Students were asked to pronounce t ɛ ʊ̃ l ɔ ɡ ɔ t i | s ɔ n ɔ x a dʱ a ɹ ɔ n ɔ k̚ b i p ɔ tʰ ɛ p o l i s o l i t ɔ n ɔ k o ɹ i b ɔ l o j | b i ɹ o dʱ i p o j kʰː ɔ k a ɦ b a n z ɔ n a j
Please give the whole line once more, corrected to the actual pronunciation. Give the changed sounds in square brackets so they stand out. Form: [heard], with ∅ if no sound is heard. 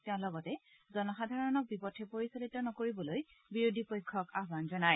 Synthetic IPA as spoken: t ɛ ʊ̃ l ɔ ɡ ɔ t [ɛ] | [z] ɔ n ɔ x a dʱ a ɹ ɔ n ɔ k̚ b i p ɔ tʰ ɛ p o [ɹ] i s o l i t ɔ n ɔ k o ɹ i b ɔ l o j | b i ɹ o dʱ i p o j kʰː ɔ k a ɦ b a n z ɔ n a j